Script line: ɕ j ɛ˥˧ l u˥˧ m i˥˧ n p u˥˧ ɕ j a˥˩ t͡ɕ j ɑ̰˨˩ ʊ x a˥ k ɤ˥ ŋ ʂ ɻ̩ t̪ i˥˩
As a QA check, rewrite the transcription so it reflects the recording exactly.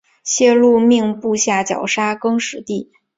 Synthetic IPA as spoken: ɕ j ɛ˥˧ l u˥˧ m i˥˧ ŋ p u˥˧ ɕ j a˥˩ t͡ɕ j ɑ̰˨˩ ʊ ʂ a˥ k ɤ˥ ŋ ʂ ɻ̩ t̪ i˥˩